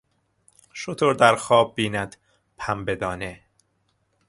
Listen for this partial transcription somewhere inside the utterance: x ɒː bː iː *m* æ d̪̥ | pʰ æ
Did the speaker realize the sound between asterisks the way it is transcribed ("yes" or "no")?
no